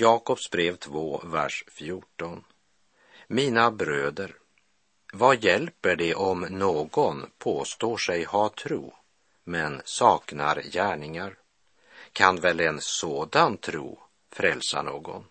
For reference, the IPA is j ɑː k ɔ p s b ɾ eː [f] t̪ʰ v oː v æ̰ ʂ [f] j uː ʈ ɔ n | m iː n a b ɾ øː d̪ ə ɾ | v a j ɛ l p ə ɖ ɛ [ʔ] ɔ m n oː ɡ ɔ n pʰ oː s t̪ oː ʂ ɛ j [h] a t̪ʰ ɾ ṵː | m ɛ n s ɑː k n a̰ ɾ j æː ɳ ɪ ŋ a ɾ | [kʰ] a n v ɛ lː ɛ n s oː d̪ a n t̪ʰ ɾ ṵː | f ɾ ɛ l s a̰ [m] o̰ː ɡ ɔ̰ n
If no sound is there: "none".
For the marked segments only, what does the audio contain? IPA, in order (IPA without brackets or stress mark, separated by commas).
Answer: v, f, ʔ, h, kʰ, ɳ